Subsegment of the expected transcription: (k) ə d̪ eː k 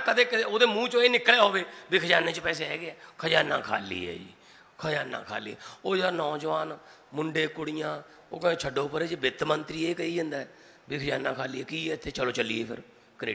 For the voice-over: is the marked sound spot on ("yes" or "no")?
yes